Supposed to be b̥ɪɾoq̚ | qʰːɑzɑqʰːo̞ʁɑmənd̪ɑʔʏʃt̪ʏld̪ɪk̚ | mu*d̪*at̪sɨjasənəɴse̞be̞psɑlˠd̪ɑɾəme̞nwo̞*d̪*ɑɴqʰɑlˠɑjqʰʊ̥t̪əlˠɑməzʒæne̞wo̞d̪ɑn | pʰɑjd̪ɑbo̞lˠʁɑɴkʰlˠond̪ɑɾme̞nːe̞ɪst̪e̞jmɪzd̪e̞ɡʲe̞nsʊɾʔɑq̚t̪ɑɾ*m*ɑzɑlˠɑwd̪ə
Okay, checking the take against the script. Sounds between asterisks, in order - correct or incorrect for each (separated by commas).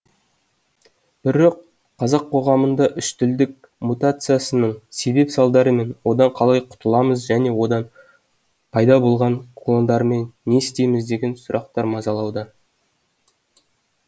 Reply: incorrect, correct, correct